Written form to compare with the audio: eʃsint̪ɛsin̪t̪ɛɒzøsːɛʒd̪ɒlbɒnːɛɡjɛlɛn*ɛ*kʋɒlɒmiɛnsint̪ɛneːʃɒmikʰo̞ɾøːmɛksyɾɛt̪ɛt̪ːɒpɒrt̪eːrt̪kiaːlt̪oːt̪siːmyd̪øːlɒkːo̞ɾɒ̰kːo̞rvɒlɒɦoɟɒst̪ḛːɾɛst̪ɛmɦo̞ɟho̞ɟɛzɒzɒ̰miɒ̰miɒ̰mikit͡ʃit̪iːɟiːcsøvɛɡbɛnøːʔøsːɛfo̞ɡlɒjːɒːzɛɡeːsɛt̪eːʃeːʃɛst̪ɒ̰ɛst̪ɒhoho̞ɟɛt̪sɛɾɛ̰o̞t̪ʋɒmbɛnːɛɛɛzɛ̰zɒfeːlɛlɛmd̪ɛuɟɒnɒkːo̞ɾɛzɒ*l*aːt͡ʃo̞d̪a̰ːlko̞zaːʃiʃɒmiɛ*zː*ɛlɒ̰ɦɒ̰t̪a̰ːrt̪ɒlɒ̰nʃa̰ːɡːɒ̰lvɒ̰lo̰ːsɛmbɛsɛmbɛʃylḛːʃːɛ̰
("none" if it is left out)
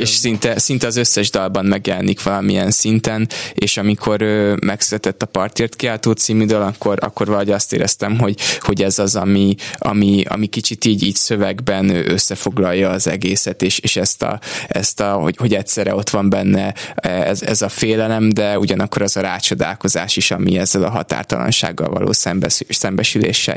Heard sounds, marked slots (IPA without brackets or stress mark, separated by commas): i, ɾ, zː